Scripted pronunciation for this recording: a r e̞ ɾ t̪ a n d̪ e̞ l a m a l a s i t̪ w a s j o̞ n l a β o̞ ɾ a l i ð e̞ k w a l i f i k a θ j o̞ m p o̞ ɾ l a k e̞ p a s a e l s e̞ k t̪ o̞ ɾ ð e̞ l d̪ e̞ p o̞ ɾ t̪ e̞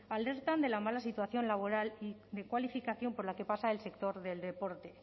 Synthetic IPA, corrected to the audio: a l e̞ ɾ t̪ a n d̪ e̞ l a m a l a s i t̪ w a θ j o̞ n l a β o̞ ɾ a l i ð e̞ k w a l i f i k a θ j o̞ m p o̞ ɾ l a k e̞ p a s a e l s e̞ k t̪ o̞ ɾ ð e̞ l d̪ e̞ p o̞ ɾ t̪ e̞